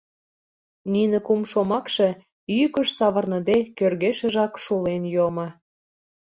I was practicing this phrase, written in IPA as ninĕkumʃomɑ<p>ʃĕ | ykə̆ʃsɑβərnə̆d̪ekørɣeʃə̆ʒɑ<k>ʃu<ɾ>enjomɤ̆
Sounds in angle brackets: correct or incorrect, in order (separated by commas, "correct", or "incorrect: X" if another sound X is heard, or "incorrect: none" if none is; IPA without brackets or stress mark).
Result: incorrect: k, correct, incorrect: l